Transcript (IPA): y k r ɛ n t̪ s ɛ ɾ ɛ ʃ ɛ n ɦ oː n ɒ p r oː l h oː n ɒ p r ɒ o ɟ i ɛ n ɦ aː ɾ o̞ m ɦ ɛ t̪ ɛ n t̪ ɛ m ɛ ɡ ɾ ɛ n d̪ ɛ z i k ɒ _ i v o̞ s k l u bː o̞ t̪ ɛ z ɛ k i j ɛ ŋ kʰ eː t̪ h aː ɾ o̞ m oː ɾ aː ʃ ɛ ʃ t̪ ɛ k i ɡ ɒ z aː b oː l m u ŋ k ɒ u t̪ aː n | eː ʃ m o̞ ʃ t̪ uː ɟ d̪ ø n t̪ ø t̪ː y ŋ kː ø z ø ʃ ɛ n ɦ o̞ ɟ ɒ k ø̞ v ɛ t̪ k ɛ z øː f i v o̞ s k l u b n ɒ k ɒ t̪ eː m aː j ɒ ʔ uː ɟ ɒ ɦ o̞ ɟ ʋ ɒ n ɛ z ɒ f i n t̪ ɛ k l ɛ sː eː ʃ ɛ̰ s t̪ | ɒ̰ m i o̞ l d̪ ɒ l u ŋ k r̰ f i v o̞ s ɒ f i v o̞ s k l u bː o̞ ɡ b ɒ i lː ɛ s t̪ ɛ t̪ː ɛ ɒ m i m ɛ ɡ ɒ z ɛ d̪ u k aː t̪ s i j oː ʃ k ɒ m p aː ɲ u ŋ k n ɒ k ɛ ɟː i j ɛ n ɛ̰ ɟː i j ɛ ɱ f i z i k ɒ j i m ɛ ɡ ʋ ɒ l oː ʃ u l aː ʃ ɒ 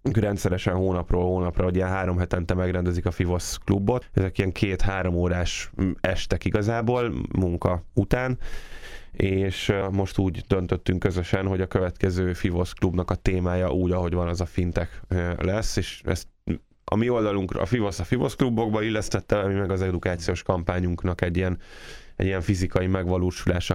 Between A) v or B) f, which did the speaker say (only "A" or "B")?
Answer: B